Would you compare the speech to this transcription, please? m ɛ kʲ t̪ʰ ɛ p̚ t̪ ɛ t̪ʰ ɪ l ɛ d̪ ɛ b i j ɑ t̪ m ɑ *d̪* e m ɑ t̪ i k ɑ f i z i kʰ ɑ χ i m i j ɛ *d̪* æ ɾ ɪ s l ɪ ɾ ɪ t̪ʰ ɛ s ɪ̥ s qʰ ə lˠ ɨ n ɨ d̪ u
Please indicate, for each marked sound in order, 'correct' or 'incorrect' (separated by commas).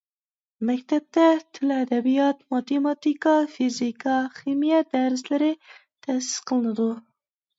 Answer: incorrect, correct